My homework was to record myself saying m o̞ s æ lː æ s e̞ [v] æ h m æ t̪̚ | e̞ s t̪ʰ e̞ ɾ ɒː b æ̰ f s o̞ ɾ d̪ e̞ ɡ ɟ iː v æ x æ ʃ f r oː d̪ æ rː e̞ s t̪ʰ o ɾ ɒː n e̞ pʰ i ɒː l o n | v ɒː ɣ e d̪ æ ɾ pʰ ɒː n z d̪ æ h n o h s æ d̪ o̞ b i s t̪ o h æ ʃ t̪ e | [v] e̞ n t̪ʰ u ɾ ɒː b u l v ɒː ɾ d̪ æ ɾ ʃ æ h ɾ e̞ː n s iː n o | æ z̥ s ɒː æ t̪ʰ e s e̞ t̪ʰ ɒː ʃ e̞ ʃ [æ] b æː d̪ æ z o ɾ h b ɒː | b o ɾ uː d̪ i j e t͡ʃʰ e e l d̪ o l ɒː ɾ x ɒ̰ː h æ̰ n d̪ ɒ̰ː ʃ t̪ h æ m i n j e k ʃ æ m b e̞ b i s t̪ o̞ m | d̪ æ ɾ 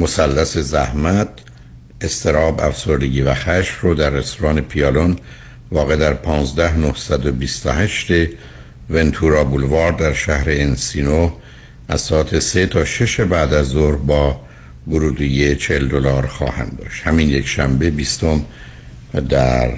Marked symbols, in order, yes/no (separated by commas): no, yes, no